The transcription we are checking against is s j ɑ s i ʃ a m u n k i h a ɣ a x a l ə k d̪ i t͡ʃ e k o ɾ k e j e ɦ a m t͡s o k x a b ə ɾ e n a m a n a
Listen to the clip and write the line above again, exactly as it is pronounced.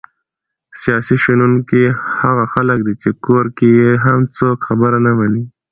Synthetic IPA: s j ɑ s i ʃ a n u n k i h a ɣ a x a l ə k d̪ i t͡ʃ e k o ɾ k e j e ɦ a m t͡s o k x a b ə ɾ a n a m a n i